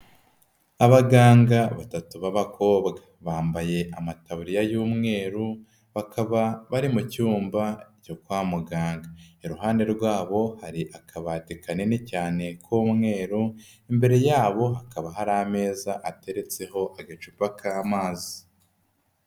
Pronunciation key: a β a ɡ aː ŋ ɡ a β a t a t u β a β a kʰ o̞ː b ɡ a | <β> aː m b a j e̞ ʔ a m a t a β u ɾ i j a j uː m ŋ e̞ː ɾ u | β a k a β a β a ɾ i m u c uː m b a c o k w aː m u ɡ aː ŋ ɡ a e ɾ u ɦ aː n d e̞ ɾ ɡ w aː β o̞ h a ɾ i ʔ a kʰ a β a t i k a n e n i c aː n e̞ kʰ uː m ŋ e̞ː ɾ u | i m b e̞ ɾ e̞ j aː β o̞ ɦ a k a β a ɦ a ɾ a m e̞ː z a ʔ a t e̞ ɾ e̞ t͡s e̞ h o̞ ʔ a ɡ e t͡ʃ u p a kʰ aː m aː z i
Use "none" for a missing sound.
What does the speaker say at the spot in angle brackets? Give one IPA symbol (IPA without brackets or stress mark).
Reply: β